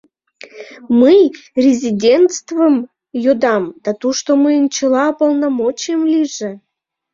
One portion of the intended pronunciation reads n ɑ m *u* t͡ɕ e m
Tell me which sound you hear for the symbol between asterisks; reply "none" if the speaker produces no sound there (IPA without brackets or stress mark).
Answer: o